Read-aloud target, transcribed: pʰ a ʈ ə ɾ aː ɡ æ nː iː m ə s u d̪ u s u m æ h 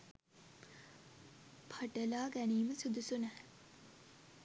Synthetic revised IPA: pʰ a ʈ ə l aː ɡ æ n iː m ə s u d̪ u s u n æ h